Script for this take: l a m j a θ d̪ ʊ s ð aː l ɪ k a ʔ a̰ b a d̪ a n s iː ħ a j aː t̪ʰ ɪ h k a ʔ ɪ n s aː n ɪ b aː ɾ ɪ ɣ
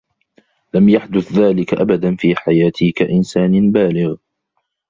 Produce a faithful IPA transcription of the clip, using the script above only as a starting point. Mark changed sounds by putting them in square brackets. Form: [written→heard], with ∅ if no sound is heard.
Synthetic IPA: l a m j a [θ→ħ] d̪ ʊ [s→θ] ð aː l ɪ k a ʔ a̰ b a d̪ a n [s→f] iː ħ a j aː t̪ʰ ɪ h k a ʔ ɪ n s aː n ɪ b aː [ɾ→l] ɪ ɣ